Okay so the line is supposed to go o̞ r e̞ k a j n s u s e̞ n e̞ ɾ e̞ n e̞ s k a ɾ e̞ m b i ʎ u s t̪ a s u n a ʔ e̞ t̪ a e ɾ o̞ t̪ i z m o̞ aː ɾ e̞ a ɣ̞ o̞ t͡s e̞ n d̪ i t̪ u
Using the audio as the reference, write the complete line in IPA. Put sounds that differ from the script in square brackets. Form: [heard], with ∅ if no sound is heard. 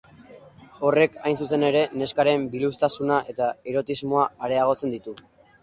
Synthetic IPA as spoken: o̞ r e̞ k a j n s u s e̞ n e̞ ɾ e̞ n e̞ s k a ɾ e̞ m b i [l] u s t̪ a s u n a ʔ e̞ t̪ a e ɾ o̞ t̪ i z m o̞ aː ɾ e̞ a ɣ̞ o̞ t͡s e̞ n d̪ i t̪ u